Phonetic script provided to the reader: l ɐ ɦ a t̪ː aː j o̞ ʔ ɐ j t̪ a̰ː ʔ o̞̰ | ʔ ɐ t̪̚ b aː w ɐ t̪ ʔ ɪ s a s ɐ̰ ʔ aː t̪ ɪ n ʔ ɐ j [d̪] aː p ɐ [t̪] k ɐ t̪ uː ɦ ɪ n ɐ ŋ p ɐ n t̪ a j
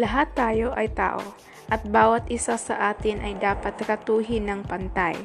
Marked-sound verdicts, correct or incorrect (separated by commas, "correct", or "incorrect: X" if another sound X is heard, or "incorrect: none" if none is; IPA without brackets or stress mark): correct, correct